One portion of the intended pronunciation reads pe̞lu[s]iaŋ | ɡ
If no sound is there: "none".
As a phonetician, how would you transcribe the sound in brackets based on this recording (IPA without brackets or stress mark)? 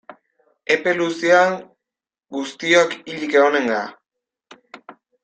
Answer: s